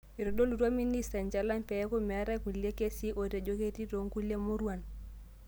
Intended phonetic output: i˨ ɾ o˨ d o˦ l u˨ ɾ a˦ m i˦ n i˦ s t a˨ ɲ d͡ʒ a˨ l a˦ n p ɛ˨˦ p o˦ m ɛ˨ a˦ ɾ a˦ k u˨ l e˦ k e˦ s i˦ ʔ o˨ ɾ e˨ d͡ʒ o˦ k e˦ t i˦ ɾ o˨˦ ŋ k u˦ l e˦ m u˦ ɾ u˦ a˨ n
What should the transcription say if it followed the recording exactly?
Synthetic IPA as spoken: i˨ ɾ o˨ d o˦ l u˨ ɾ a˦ m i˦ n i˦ s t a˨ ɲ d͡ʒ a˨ l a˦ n p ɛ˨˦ k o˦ m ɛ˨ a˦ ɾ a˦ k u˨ l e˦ k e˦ s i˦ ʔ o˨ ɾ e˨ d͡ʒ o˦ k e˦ t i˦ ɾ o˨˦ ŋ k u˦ l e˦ m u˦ ɾ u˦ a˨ n